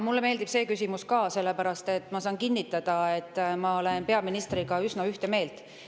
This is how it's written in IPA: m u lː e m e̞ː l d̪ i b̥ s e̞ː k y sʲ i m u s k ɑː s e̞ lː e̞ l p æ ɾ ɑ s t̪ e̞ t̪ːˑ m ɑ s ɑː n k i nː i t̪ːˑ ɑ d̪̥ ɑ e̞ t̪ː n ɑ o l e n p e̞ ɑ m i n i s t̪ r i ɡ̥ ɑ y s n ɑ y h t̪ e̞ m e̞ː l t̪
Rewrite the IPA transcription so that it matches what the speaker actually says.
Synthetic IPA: m u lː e m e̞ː l d̪ i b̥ s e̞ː k y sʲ i m u s k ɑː s e̞ lː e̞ p æ ɾ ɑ s t̪ e̞ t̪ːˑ m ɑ s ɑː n k i nː i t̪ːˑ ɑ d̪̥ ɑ e̞ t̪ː m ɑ o l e n p e̞ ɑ m i n i s t̪ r i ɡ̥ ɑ y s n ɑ y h t̪ e̞ m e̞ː l t̪